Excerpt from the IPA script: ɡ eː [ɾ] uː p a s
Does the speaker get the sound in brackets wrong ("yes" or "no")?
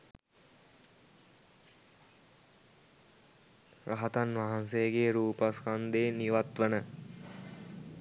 no